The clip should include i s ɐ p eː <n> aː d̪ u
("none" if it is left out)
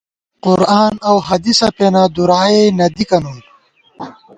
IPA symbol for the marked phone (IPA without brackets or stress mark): n